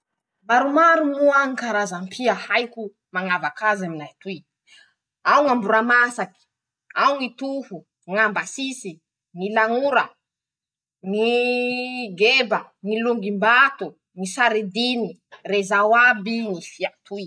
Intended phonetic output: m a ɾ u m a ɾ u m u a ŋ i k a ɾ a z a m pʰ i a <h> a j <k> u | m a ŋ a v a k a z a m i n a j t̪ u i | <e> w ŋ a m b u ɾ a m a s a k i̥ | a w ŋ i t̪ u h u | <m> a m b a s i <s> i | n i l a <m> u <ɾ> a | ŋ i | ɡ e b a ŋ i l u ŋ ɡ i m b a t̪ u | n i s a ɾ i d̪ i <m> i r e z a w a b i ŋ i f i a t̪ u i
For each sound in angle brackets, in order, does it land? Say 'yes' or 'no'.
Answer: yes, yes, no, no, yes, no, yes, no

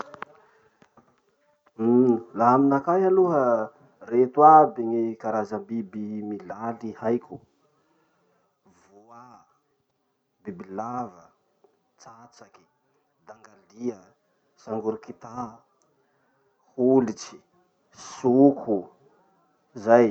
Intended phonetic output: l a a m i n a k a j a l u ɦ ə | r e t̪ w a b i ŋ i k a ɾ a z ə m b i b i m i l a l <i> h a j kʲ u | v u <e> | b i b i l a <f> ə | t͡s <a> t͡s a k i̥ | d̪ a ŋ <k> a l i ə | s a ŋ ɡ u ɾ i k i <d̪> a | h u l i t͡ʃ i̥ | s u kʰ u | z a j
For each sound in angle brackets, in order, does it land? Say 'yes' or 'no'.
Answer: yes, no, no, yes, no, no

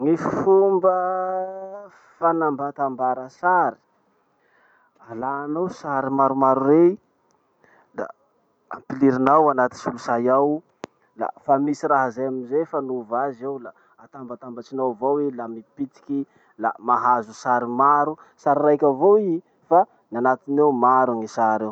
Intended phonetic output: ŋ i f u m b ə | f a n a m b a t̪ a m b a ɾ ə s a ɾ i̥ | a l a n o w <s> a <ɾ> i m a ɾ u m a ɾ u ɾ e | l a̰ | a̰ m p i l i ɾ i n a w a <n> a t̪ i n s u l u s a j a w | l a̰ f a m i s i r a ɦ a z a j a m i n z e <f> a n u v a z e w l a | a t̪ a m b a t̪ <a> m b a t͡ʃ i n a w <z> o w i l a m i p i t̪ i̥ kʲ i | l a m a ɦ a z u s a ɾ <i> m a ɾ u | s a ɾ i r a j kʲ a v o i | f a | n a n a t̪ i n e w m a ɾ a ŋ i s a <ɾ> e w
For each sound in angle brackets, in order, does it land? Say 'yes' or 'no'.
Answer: yes, yes, yes, yes, yes, no, yes, yes

